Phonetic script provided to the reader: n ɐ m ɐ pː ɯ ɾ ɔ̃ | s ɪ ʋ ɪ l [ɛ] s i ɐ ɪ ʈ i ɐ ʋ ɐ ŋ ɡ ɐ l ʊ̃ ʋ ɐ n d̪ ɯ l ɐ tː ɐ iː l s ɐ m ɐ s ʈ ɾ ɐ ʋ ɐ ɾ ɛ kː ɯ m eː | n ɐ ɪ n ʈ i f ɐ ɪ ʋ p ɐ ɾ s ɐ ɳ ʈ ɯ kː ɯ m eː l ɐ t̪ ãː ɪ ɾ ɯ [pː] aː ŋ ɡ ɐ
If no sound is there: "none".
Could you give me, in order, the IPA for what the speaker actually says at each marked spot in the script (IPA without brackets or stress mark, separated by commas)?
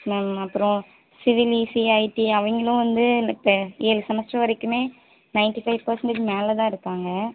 i, kː